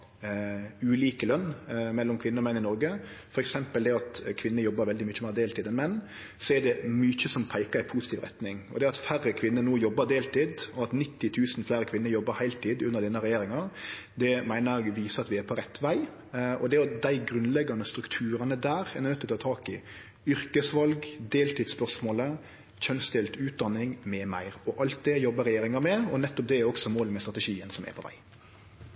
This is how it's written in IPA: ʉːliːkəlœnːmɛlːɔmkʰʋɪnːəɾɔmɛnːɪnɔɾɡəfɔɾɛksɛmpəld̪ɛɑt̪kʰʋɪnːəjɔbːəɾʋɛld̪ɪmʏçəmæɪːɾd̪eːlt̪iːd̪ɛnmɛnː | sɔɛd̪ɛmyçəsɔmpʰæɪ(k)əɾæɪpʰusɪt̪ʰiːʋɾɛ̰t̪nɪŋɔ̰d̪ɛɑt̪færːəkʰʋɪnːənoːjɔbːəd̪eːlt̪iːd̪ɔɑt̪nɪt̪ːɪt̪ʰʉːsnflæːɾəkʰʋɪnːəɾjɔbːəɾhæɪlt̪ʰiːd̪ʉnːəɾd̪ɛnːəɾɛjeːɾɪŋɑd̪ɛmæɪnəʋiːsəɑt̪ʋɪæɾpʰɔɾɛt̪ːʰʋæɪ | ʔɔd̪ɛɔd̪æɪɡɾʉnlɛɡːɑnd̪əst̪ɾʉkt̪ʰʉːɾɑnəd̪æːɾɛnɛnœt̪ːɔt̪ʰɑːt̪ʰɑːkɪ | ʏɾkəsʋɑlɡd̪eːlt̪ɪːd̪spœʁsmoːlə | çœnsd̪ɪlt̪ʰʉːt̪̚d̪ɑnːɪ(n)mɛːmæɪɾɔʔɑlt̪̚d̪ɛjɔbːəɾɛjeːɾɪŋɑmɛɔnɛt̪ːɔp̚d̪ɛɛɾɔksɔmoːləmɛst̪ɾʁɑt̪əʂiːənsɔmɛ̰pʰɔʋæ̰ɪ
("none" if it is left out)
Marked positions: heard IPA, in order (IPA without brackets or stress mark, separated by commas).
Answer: k, ŋ